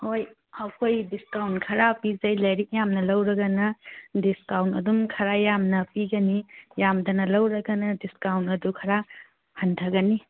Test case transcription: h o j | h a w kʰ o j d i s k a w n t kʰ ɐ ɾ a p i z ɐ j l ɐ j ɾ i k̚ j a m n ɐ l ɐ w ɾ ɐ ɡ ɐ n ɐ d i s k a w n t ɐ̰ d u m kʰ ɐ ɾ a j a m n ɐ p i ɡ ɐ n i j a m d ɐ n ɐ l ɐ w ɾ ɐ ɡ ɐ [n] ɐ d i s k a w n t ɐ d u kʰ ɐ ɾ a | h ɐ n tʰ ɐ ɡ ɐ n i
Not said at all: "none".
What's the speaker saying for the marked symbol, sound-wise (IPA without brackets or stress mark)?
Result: n